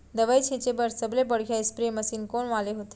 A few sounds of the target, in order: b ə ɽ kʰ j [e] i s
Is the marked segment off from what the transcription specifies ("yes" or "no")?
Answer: yes